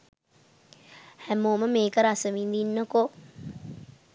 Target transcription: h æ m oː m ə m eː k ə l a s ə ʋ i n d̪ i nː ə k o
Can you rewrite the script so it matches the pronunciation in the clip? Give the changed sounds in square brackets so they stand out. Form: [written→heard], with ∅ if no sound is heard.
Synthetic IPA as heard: h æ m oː m ə m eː k ə [l→ɾ] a s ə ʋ i n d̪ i nː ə k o